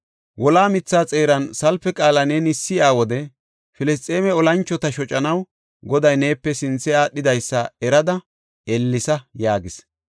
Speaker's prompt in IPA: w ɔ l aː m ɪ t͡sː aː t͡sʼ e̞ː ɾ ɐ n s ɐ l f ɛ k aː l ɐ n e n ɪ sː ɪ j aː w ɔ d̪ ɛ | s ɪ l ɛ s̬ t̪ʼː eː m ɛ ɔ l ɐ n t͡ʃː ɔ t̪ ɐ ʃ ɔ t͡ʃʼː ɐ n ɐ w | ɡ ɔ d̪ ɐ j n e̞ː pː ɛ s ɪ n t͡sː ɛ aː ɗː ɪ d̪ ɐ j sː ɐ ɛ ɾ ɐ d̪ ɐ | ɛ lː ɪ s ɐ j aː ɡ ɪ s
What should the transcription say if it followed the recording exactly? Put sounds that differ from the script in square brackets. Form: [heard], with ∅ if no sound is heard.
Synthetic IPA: w ɔ l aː m ɪ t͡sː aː t͡sʼ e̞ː ɾ ɐ n s ɐ l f ɛ [kʼ] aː l ɐ n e n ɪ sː ɪ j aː w ɔ d̪ ɛ | [f] ɪ l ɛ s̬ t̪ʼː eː m ɛ ɔ l ɐ n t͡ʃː ɔ t̪ ɐ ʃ ɔ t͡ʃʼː ɐ n ɐ w | ɡ ɔ d̪ ɐ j n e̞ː pː ɛ s ɪ n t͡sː ɛ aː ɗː ɪ d̪ ɐ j sː ɐ ɛ ɾ ɐ d̪ ɐ | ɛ lː ɪ s ɐ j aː ɡ ɪ s

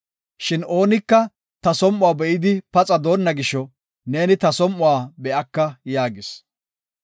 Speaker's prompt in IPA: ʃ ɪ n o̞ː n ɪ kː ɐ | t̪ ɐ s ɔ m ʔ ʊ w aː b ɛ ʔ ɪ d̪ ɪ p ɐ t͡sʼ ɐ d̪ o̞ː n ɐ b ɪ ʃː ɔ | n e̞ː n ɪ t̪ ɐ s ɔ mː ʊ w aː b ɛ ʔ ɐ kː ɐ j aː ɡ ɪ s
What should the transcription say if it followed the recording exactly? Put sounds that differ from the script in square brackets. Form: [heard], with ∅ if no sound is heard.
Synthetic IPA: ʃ ɪ n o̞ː n ɪ kː ɐ | t̪ ɐ s ɔ m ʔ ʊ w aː b ɛ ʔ ɪ d̪ ɪ p ɐ t͡sʼ ɐ d̪ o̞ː [nː] ɐ [ɡ] ɪ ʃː ɔ | n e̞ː n ɪ t̪ ɐ s ɔ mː ʊ w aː b ɛ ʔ ɐ kː ɐ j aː ɡ ɪ s

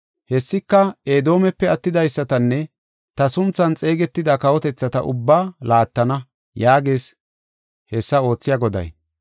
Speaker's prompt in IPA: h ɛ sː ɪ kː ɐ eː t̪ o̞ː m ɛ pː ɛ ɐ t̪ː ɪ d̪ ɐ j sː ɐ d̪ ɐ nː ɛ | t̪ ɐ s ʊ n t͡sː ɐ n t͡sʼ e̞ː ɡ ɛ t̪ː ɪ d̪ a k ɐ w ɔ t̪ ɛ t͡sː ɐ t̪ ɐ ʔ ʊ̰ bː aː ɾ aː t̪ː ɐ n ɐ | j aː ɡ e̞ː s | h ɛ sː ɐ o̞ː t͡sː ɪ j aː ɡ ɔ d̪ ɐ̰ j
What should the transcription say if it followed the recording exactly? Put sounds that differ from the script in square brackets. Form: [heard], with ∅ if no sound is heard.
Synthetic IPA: h ɛ sː ɪ kː ɐ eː [d̪] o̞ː m ɛ pː ɛ ɐ t̪ː ɪ d̪ ɐ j sː ɐ [t̪] ɐ nː ɛ | t̪ ɐ s ʊ n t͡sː ɐ n t͡sʼ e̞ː ɡ ɛ t̪ː ɪ d̪ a k ɐ w ɔ t̪ ɛ t͡sː ɐ t̪ ɐ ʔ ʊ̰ bː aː [l] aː t̪ː ɐ n ɐ | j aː ɡ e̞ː s | h ɛ sː ɐ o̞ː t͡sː ɪ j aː ɡ ɔ d̪ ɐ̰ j

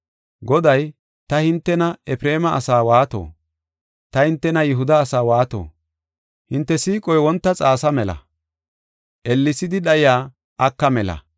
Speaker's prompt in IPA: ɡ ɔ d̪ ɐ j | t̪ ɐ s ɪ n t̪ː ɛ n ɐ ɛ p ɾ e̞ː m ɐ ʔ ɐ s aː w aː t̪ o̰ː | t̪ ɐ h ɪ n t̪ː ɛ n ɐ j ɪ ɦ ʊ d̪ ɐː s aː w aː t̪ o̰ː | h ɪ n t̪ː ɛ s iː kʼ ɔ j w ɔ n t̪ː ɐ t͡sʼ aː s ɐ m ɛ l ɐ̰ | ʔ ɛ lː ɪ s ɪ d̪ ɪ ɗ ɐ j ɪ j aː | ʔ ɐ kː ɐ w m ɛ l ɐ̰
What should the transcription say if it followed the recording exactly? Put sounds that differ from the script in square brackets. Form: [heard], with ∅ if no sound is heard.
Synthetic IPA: ɡ ɔ d̪ ɐ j | t̪ ɐ [h] ɪ n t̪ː ɛ n ɐ ɛ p ɾ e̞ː m ɐ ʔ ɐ s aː w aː t̪ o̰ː | t̪ ɐ h ɪ n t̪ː ɛ n ɐ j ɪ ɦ ʊ d̪ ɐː s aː w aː t̪ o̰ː | h ɪ n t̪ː ɛ s iː kʼ ɔ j w ɔ n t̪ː ɐ t͡sʼ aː s ɐ m ɛ l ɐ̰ | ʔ ɛ lː ɪ s ɪ d̪ ɪ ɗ ɐ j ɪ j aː | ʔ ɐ kː ɐ [∅] m ɛ l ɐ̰

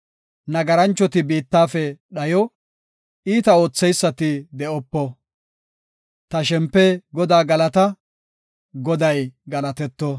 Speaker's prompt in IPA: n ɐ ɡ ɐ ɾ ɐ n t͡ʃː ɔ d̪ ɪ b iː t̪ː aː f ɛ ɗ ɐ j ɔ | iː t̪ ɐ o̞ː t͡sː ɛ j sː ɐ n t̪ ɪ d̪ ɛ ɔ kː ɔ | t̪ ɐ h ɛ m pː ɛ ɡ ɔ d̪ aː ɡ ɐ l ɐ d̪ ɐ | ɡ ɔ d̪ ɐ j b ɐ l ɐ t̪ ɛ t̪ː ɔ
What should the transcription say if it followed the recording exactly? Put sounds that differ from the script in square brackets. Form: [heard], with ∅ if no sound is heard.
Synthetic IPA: n ɐ ɡ ɐ ɾ ɐ n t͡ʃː ɔ [t̪] ɪ b iː t̪ː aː f ɛ ɗ ɐ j ɔ | iː t̪ ɐ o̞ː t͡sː ɛ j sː ɐ [∅] t̪ ɪ d̪ ɛ ɔ [pː] ɔ | t̪ ɐ [ʃ] ɛ m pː ɛ ɡ ɔ d̪ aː ɡ ɐ l ɐ [t̪] ɐ | ɡ ɔ d̪ ɐ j [ɡ] ɐ l ɐ t̪ ɛ t̪ː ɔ

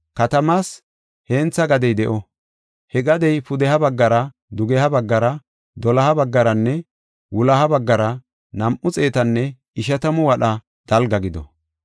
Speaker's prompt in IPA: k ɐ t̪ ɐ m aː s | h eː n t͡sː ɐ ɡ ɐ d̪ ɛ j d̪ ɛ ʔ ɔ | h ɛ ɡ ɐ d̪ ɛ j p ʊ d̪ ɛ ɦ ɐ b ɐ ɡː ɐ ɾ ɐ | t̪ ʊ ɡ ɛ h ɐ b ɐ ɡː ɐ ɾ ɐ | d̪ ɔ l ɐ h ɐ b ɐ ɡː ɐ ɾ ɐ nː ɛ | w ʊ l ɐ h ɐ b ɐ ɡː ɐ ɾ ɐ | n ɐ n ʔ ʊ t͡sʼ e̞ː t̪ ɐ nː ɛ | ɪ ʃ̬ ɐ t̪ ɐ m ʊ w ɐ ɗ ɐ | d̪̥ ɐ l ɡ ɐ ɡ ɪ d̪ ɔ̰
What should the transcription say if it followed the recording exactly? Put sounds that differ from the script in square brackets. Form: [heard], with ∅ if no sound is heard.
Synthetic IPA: k ɐ t̪ ɐ m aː s | h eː n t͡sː ɐ ɡ ɐ d̪ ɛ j d̪ ɛ ʔ ɔ | h ɛ ɡ ɐ d̪ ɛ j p ʊ d̪ ɛ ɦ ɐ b ɐ ɡː ɐ ɾ ɐ | [d̪] ʊ ɡ ɛ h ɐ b ɐ ɡː ɐ ɾ ɐ | d̪ ɔ l ɐ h ɐ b ɐ ɡː ɐ ɾ ɐ nː ɛ | w ʊ l ɐ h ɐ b ɐ ɡː ɐ ɾ ɐ | n ɐ [m] ʔ ʊ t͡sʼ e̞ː t̪ ɐ nː ɛ | ɪ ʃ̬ ɐ t̪ ɐ m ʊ w ɐ ɗ ɐ | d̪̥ ɐ l ɡ ɐ ɡ ɪ d̪ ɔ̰

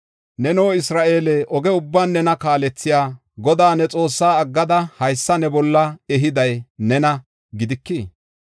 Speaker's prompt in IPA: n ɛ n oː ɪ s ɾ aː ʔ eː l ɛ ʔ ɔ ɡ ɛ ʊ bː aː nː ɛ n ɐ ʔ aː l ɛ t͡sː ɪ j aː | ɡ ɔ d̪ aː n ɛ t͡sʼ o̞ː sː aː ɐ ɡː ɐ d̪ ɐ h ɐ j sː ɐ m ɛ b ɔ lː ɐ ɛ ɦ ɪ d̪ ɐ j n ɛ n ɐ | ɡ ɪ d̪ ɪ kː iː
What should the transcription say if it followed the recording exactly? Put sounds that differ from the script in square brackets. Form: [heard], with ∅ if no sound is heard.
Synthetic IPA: n ɛ n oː ɪ s ɾ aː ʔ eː l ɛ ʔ ɔ ɡ ɛ ʊ bː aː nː ɛ n ɐ [k] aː l ɛ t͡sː ɪ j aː | ɡ ɔ d̪ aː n ɛ t͡sʼ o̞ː sː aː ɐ ɡː ɐ d̪ ɐ h ɐ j sː ɐ [n] ɛ b ɔ lː ɐ ɛ ɦ ɪ d̪ ɐ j n ɛ n ɐ | ɡ ɪ d̪ ɪ kː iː

